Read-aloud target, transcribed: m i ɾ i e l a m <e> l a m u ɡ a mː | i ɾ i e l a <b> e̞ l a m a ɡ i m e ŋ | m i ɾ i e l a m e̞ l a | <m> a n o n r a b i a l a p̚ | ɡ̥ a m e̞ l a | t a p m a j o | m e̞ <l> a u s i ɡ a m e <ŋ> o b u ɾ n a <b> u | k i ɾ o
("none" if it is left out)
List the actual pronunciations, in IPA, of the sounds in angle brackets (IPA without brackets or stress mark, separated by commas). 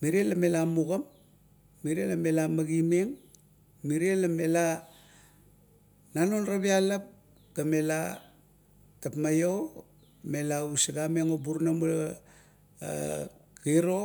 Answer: e, m, n, l, ŋ, m